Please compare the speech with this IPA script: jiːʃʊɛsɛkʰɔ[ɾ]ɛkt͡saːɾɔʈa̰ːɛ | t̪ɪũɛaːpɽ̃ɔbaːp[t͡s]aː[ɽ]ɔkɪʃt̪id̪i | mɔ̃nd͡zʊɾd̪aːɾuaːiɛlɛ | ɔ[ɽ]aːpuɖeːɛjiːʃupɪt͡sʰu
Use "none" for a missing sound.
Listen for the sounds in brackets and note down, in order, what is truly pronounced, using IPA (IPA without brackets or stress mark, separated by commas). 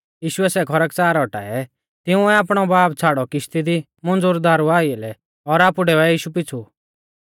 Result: ɾ, t͡sʰ, ɽ, ɾ